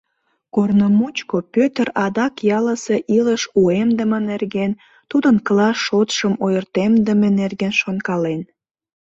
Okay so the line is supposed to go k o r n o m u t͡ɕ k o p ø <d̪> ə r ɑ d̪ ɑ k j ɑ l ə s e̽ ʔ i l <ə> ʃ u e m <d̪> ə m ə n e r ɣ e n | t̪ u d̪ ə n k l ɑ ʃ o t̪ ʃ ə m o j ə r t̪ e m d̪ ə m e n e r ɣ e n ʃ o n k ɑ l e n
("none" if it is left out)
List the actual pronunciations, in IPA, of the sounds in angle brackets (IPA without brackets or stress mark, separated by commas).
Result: t̪, ə, d̪